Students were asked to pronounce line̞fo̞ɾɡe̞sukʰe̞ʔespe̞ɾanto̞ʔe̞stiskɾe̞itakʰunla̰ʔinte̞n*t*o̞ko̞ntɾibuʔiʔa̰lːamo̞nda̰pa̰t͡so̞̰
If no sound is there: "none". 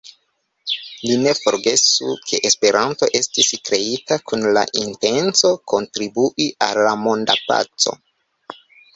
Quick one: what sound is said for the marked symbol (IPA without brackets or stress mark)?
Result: t͡s